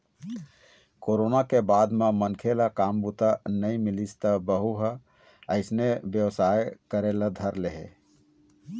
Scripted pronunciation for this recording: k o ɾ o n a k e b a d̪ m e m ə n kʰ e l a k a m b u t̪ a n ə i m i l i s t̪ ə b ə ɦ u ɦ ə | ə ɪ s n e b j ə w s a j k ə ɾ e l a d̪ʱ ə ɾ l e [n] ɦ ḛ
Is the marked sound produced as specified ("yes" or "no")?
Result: no